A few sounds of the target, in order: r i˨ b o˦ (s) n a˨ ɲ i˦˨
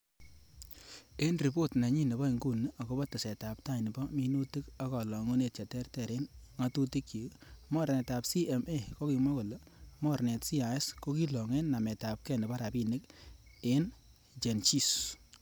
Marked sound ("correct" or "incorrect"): incorrect